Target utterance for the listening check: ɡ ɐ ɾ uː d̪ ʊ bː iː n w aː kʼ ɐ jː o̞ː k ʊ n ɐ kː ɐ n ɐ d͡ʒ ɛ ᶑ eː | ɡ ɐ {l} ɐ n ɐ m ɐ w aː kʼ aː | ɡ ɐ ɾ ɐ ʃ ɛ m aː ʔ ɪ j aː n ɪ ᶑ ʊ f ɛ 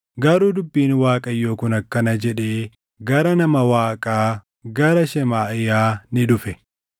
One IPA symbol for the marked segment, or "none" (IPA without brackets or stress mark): ɾ